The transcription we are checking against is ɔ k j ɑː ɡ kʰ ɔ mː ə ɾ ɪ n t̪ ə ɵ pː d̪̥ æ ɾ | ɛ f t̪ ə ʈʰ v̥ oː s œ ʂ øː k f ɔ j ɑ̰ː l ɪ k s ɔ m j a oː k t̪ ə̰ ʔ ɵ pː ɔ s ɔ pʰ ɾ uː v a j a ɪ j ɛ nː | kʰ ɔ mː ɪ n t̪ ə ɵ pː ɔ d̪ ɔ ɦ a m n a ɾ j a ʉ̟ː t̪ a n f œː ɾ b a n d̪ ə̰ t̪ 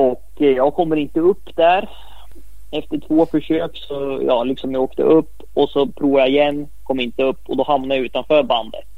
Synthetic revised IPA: ɔ k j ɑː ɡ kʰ ɔ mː ə ɾ ɪ n t̪ ə ɵ pː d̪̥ æ ɾ | ɛ f t̪ ə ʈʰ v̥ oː f œ ʂ øː k s ɔ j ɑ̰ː l ɪ k s ɔ m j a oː k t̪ ə̰ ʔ ɵ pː ɔ s ɔ pʰ ɾ uː v a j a ɪ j ɛ nː | kʰ ɔ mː ɪ n t̪ ə ɵ pː ɔ d̪ ɔ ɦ a m n a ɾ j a ʉ̟ː t̪ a n f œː ɾ b a n d̪ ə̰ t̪